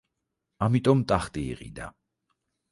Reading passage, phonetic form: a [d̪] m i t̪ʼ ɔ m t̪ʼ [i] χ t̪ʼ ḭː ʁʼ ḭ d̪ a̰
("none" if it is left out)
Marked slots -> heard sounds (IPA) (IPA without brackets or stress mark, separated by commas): none, a